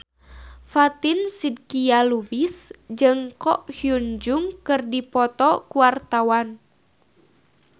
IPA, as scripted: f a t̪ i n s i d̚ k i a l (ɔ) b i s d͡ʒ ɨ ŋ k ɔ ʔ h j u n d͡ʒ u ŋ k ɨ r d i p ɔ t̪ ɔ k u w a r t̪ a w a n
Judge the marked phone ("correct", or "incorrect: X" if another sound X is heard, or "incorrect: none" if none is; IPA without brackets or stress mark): incorrect: u